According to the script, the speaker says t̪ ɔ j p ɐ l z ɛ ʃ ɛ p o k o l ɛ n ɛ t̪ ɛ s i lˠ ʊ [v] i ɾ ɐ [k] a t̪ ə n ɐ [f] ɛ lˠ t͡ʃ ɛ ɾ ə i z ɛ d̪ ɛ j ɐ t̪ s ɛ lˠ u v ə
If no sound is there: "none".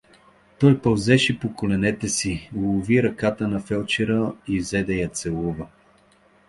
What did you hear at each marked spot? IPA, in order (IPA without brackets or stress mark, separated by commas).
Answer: v, k, f